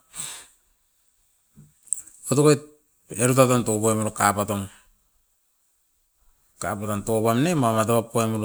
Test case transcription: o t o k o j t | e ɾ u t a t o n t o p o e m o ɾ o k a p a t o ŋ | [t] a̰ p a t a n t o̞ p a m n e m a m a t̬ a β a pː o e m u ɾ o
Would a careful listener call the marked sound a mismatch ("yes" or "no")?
yes